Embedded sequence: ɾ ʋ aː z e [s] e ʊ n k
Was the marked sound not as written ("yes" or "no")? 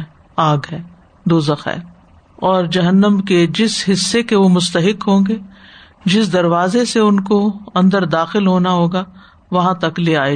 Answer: no